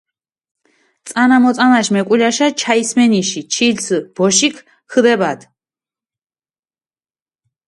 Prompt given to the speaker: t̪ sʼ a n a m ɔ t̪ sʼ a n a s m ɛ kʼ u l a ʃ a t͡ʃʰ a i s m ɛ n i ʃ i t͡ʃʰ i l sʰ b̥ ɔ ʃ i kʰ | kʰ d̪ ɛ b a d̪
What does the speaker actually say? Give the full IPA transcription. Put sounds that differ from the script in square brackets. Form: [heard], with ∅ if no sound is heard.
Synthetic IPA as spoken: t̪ sʼ a n a m ɔ t̪ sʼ a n a [ʃ] m ɛ kʼ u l a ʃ a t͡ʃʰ a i s m ɛ n i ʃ i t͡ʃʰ i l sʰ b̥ ɔ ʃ i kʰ | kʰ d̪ ɛ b a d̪